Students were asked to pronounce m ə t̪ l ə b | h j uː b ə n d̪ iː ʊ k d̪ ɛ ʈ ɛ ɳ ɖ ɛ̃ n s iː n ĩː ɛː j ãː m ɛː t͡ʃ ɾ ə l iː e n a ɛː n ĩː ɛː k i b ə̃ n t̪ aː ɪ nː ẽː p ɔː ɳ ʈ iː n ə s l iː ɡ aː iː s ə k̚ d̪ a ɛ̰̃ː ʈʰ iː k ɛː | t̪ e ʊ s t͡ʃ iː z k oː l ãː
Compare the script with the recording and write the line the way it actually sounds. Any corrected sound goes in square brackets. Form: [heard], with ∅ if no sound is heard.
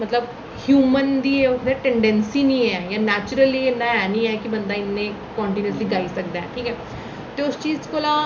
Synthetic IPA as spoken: m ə t̪ l ə b | h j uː [m] ə n d̪ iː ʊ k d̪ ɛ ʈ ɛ ɳ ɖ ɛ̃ n s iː n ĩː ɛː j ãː [n] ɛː t͡ʃ ɾ ə l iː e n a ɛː n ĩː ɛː k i b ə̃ n [d̪] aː ɪ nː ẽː [k] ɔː ɳ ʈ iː n ə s l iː ɡ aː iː s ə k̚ d̪ a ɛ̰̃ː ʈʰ iː k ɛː | t̪ e ʊ s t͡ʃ iː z k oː l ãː